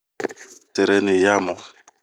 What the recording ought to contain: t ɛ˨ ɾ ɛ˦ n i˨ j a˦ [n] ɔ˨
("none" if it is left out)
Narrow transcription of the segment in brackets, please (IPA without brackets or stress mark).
m